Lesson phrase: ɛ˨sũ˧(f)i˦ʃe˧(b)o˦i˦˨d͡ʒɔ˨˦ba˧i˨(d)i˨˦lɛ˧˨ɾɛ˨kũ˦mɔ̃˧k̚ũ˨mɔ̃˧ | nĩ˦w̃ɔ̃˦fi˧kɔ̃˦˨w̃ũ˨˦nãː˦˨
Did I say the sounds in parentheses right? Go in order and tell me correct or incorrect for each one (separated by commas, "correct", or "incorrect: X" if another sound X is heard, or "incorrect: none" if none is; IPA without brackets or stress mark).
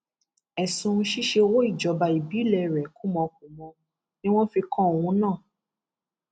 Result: incorrect: ʃ, incorrect: w, incorrect: b